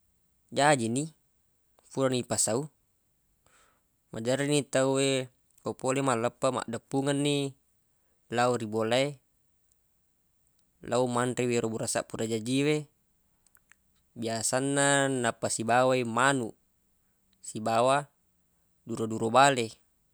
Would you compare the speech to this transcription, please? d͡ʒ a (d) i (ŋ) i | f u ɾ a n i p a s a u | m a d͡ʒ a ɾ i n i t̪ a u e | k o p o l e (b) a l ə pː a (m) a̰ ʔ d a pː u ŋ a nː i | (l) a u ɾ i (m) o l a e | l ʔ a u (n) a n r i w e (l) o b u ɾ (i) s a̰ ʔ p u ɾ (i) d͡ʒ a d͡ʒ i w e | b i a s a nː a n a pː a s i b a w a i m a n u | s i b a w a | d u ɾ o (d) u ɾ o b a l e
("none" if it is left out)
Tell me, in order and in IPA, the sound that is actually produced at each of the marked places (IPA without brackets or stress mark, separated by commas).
d͡ʒ, n, m, m, l, b, m, ɾ, a, a, d